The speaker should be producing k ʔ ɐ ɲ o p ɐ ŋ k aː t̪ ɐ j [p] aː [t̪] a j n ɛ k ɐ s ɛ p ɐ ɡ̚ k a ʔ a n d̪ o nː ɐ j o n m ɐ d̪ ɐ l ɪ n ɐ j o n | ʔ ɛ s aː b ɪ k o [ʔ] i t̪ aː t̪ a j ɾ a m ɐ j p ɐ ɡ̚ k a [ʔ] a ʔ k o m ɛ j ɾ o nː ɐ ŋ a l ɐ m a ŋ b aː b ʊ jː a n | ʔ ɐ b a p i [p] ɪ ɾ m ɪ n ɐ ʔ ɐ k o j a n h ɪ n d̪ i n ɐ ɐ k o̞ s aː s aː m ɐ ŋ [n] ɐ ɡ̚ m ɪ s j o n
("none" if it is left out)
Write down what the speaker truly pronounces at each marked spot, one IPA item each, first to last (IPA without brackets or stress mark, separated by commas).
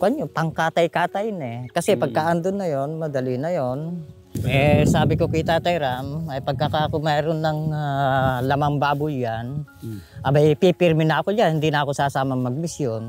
k, t̪, k, k, p, m